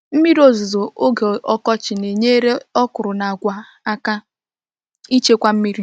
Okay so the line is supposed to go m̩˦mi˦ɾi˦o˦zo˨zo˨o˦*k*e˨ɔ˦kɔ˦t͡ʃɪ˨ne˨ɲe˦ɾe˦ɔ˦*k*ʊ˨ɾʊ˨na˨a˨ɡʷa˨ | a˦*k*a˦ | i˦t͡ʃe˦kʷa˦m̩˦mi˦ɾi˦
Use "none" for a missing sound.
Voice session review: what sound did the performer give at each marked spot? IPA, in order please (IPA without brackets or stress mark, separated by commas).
ɡ, k, k